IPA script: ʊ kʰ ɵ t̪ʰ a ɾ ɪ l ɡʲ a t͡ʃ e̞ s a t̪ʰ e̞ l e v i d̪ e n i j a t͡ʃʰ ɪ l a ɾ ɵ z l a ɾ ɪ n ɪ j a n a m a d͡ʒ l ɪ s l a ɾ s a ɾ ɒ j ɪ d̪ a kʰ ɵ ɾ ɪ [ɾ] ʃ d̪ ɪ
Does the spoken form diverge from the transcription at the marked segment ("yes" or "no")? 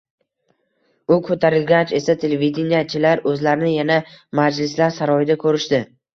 yes